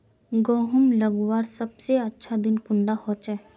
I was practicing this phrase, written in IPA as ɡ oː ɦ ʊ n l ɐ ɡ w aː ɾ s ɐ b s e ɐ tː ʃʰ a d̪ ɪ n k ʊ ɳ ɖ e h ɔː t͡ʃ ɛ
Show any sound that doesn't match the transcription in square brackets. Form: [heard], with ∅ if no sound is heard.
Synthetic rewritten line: ɡ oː ɦ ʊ [m] l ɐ ɡ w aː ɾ s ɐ b s e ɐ tː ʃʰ a d̪ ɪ n k ʊ ɳ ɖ [a] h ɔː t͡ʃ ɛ